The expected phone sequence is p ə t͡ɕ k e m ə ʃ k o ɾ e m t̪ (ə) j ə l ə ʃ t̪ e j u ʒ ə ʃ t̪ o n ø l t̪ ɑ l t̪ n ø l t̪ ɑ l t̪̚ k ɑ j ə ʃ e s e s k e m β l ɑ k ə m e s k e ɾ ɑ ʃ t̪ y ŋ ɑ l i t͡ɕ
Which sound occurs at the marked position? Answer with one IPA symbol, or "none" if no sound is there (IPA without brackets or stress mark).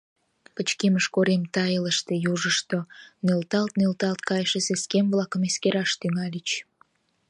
ɑ